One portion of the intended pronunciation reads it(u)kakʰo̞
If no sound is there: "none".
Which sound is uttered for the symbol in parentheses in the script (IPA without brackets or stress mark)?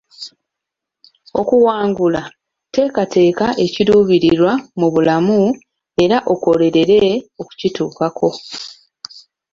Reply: uː